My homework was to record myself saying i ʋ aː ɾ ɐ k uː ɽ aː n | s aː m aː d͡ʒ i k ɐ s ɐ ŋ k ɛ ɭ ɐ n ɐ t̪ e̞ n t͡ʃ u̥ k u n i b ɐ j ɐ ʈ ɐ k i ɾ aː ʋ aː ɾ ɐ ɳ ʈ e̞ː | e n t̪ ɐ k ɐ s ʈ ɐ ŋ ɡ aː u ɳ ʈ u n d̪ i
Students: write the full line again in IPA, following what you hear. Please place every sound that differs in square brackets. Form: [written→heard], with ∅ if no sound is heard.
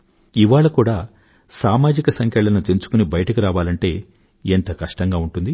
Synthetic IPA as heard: i ʋ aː [ɾ→ɭ] ɐ k uː ɽ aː [n→∅] | s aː m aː d͡ʒ i k ɐ s ɐ ŋ k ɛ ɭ ɐ n ɐ t̪ e̞ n t͡ʃ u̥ k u n i b ɐ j ɐ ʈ ɐ k i ɾ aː ʋ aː [ɾ→l] ɐ ɳ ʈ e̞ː | e n t̪ ɐ k ɐ [s→ʂ] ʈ ɐ ŋ ɡ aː u ɳ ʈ u n d̪ i